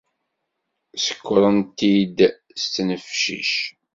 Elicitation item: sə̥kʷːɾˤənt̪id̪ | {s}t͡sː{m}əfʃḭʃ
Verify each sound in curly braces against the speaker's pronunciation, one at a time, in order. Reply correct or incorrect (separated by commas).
correct, incorrect